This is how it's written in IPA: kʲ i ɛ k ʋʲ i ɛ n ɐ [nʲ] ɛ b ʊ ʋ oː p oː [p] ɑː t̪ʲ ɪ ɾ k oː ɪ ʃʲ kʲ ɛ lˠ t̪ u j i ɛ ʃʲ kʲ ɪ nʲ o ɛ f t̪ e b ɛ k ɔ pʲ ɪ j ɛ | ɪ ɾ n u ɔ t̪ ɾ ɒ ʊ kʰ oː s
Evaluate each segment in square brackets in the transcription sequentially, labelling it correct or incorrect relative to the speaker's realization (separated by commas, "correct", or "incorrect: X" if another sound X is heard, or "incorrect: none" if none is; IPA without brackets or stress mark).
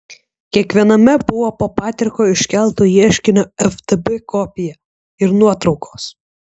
incorrect: mʲ, correct